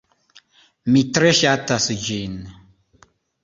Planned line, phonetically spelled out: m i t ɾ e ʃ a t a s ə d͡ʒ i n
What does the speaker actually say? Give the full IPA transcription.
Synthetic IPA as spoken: m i t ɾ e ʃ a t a s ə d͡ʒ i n